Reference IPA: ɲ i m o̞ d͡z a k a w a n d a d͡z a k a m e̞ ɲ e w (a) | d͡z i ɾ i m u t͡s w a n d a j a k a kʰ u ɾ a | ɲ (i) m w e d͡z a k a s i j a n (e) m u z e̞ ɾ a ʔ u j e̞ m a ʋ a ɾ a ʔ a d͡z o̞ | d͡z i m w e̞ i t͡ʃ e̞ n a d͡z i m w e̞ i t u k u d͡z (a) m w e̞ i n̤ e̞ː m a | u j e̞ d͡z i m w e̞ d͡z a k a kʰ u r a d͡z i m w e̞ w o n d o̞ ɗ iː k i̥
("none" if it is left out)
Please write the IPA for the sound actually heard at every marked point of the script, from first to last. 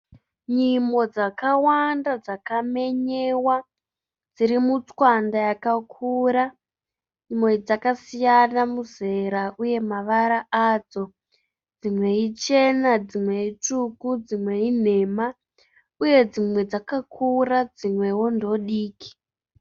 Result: a, i, a, i

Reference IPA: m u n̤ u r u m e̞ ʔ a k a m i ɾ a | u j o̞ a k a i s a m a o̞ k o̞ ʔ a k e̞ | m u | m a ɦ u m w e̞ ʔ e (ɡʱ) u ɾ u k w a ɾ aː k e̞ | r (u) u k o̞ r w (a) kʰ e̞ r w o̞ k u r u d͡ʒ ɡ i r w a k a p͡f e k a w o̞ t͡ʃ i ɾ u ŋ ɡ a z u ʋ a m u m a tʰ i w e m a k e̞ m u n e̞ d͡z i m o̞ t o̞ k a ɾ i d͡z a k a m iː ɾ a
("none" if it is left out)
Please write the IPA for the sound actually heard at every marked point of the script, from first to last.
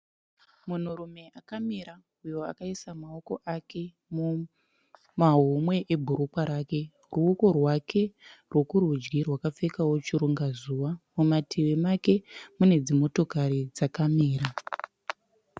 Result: bʱ, u, a

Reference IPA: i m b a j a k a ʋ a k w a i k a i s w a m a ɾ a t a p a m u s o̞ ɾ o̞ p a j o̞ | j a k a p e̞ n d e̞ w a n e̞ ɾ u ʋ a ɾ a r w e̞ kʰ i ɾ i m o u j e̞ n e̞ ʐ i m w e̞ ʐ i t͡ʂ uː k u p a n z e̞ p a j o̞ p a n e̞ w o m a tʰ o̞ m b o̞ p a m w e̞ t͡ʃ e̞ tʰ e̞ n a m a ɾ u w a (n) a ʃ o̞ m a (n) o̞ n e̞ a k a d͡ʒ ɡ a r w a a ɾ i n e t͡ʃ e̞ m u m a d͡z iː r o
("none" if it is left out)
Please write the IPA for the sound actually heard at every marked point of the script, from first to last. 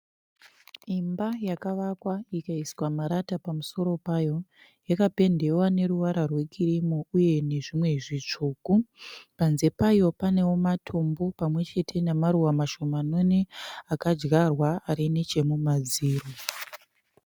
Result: m, n

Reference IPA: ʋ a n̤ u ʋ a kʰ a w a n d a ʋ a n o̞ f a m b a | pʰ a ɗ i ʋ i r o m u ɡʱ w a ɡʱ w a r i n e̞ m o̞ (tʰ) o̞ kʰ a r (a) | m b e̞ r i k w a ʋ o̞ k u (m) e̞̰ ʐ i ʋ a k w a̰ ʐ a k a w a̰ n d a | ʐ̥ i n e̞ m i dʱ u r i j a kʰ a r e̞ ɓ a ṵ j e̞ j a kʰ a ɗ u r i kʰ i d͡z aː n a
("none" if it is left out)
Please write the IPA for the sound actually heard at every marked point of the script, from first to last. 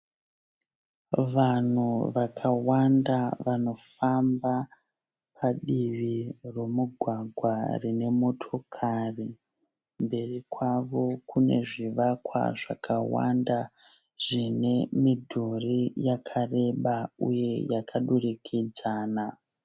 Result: tʰ, i, n

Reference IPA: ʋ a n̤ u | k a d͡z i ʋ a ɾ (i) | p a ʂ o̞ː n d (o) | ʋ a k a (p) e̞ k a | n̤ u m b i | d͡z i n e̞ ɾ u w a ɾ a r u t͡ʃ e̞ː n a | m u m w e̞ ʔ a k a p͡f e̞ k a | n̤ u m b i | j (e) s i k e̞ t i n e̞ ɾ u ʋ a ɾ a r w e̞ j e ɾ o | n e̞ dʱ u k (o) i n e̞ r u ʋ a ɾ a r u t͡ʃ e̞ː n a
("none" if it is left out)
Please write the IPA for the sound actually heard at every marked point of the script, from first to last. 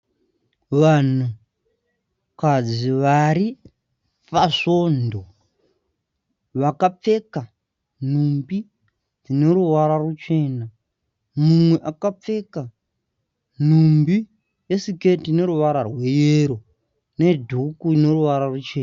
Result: i, o, p͡f, e, u

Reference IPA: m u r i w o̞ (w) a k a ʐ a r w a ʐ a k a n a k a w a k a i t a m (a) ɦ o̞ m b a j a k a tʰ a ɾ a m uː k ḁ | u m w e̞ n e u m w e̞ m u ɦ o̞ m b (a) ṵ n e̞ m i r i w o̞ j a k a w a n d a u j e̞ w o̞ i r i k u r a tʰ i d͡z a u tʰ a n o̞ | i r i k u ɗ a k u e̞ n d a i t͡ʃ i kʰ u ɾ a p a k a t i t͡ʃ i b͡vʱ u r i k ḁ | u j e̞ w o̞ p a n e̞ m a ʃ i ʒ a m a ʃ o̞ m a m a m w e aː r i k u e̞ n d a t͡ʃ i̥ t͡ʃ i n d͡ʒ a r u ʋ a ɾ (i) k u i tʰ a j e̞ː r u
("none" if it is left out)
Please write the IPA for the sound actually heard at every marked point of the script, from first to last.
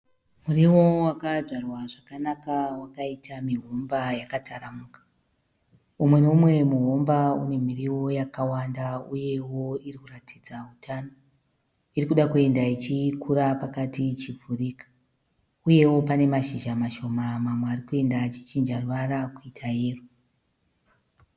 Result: w, i, a, a

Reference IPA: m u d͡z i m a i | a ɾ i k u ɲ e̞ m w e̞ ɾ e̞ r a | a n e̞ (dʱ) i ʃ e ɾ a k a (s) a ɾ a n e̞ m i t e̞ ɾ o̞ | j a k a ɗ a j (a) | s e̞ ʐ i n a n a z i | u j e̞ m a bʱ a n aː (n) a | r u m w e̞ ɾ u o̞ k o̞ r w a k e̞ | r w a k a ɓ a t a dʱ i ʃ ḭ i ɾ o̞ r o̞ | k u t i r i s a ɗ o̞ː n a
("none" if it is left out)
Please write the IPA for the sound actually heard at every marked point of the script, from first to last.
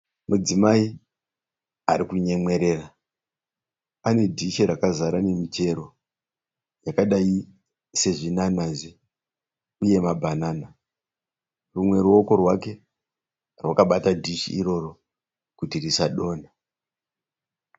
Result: dʱ, z, i, n

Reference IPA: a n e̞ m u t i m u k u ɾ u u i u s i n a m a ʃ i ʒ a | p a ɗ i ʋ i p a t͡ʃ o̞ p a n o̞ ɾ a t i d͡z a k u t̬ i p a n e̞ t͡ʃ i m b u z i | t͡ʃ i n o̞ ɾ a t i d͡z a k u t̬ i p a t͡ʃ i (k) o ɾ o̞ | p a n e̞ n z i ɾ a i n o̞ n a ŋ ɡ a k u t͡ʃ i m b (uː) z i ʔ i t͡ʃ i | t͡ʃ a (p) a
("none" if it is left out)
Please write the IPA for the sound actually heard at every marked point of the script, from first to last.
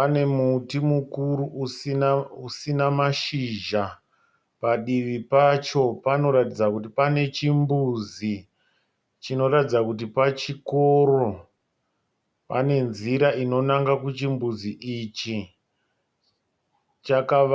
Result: k, u, k

